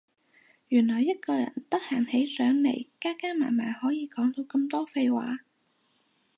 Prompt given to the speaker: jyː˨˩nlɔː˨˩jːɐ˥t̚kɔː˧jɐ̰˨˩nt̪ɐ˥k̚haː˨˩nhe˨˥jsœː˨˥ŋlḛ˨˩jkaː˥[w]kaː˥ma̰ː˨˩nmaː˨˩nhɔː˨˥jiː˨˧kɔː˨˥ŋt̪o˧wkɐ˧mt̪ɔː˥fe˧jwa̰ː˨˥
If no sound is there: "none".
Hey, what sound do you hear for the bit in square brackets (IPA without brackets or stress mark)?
none